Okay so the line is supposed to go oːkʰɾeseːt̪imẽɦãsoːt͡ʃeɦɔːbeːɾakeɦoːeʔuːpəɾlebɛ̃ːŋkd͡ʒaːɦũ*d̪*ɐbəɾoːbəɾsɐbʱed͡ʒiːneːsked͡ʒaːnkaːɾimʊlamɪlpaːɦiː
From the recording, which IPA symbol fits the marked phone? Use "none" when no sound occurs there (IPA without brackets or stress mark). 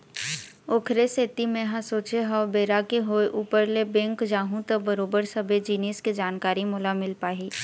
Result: t̪